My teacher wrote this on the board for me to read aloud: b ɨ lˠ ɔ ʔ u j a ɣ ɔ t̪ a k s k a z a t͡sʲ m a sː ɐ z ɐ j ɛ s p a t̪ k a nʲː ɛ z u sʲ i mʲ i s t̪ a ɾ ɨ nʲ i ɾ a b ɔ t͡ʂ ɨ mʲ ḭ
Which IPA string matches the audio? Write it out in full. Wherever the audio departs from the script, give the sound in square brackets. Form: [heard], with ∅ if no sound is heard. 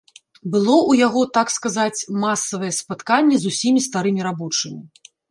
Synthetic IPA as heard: b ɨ lˠ ɔ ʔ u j a ɣ ɔ t̪ a k s k a z a t͡sʲ m a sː ɐ [v] ɐ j ɛ s p a t̪ k a nʲː ɛ z u sʲ i mʲ i s t̪ a ɾ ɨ [mʲ] i ɾ a b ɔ t͡ʂ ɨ mʲ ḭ